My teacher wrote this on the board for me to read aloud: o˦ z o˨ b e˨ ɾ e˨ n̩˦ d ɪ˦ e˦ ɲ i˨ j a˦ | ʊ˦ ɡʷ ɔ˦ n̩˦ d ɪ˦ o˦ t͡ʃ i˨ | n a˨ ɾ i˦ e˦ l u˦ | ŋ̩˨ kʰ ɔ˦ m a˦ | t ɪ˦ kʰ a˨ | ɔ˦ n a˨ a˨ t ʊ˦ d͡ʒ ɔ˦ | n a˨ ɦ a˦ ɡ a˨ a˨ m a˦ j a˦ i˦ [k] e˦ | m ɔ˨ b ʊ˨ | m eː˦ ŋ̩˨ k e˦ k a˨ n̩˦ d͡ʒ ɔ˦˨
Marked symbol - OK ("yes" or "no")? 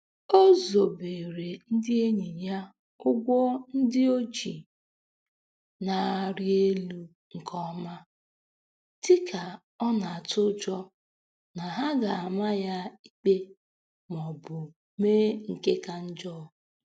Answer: no